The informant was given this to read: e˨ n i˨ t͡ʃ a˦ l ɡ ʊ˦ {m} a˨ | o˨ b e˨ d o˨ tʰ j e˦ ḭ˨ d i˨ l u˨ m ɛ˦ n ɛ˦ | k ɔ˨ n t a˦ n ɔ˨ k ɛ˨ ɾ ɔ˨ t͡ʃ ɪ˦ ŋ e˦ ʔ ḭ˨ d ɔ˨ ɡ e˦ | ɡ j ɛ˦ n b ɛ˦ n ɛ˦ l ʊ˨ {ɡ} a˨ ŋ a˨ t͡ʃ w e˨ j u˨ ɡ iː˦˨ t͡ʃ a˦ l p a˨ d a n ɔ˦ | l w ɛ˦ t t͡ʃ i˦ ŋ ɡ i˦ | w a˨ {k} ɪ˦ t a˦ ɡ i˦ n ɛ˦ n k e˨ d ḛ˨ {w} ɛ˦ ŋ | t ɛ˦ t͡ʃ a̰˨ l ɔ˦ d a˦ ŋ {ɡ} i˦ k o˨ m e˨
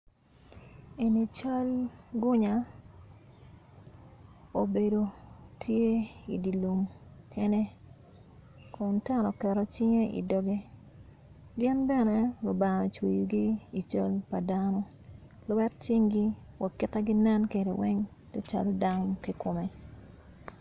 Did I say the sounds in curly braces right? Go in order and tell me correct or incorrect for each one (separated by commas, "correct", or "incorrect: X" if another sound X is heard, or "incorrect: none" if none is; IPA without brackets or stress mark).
incorrect: ɲ, incorrect: b, correct, correct, incorrect: k